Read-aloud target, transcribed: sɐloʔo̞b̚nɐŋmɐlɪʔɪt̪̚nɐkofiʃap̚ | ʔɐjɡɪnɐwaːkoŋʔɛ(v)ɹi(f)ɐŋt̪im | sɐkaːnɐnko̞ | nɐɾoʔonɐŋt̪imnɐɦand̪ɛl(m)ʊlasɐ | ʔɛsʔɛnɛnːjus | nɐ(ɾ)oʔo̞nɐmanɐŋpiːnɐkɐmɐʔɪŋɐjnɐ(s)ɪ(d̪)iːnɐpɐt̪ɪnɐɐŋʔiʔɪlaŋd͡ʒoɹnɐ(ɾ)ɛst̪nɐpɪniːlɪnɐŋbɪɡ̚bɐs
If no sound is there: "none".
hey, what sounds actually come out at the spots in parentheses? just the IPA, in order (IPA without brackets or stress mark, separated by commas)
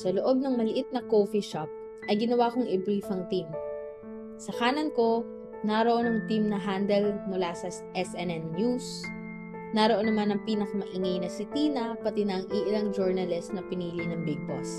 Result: b, f, m, ɾ, s, t̪, l